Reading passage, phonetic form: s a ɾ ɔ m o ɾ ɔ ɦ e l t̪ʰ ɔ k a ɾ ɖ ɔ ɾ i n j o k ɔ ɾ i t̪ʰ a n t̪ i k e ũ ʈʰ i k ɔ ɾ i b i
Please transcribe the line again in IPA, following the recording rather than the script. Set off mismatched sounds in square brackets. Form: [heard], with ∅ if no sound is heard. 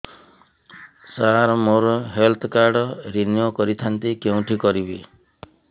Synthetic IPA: s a ɾ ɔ m o ɾ ɔ ɦ e l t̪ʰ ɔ k a ɾ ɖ ɔ ɾ i n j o k ɔ ɾ i t̪ʰ a n t̪ i k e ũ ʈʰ i k ɔ ɾ i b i